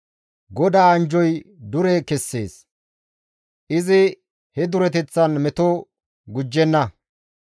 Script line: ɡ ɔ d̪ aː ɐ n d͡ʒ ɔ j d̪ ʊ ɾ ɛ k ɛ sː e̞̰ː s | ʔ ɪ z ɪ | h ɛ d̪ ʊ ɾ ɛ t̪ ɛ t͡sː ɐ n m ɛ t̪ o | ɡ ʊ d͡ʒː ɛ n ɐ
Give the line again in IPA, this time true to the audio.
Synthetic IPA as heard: ɡ ɔ d̪ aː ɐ n d͡ʒ ɔ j d̪ ʊ ɾ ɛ k ɛ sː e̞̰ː s | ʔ ɪ z ɪ | h ɛ d̪ ʊ ɾ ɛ t̪ ɛ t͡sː ɐ n m ɛ t̪ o | ɡ ʊ d͡ʒː ɛ nː ɐ